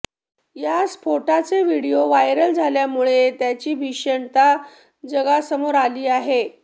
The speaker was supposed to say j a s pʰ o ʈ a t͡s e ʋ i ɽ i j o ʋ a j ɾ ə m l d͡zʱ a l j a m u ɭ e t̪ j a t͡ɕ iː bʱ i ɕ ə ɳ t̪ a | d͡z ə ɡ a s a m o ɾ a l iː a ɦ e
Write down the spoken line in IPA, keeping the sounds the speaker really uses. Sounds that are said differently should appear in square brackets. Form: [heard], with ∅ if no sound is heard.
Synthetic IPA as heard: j a s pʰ o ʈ a t͡s e ʋ i ɽ i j o ʋ a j ɾ ə [∅] l d͡zʱ a l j a m u ɭ e t̪ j a t͡ɕ iː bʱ i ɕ ə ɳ t̪ a | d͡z ə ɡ a s [ə] m o ɾ a l iː a ɦ e